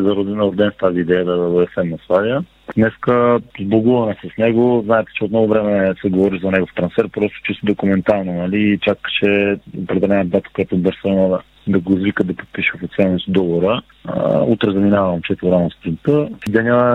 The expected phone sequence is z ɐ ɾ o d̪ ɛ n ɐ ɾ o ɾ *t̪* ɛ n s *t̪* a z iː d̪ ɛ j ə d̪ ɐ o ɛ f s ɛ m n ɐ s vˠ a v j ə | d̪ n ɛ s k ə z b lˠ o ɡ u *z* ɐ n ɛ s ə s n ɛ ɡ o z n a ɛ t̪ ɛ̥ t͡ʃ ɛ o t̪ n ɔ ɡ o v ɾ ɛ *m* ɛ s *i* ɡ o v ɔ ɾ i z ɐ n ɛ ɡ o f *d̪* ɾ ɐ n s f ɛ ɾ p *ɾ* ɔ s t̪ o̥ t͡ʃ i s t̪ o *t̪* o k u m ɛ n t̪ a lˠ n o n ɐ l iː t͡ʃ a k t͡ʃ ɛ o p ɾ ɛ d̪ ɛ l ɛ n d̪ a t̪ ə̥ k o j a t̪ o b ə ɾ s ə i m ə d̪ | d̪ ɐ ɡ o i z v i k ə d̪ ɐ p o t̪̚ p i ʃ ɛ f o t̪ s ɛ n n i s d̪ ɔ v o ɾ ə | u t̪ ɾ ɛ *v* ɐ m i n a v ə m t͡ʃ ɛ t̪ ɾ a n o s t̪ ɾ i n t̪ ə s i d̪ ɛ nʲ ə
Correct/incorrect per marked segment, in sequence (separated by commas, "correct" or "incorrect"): incorrect, correct, incorrect, correct, incorrect, incorrect, correct, incorrect, incorrect